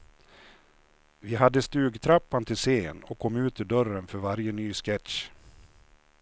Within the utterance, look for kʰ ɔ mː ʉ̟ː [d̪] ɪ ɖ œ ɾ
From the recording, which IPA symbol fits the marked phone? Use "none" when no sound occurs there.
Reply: t̪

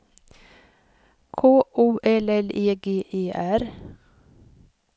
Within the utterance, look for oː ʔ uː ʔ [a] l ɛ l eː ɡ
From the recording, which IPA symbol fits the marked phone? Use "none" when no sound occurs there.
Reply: ɛ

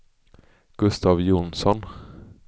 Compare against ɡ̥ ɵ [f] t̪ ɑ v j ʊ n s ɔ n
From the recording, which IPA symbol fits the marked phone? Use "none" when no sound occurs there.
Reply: s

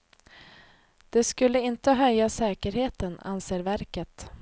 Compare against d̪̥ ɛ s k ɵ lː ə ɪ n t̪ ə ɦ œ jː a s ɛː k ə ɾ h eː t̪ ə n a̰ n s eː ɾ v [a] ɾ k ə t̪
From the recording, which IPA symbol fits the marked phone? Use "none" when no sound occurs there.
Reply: æ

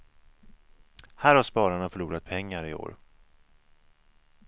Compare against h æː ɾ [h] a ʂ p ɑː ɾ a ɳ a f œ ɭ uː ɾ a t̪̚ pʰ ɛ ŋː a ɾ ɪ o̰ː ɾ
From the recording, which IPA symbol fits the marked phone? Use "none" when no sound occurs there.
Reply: h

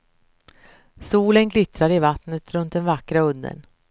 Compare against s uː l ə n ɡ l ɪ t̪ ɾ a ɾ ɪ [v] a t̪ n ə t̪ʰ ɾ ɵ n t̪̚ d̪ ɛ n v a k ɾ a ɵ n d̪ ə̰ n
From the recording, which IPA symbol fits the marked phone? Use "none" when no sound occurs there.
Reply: v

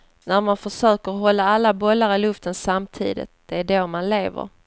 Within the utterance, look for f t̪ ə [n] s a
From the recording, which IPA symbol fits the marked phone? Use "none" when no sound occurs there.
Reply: n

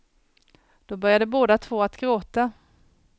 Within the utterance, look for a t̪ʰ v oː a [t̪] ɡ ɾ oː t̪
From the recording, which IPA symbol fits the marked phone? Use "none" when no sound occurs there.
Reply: t̪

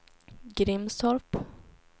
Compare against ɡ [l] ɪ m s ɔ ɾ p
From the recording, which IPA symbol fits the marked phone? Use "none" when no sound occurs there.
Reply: ɾ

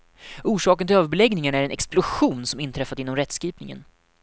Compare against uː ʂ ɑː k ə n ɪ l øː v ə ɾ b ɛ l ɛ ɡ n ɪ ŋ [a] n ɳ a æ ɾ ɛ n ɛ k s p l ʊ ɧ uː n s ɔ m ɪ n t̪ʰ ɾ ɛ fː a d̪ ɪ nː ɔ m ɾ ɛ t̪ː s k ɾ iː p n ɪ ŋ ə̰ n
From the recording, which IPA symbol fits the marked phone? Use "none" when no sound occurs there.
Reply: a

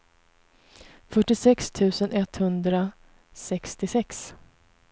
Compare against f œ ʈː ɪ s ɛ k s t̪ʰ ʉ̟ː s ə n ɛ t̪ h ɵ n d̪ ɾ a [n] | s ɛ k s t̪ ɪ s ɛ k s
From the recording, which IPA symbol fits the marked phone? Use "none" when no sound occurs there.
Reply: none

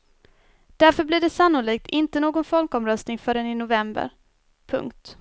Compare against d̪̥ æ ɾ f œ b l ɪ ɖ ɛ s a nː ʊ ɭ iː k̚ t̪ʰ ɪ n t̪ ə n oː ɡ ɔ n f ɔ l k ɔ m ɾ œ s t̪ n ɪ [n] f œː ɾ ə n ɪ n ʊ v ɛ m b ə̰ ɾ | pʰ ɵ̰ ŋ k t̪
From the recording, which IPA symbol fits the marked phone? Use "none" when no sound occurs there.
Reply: ŋ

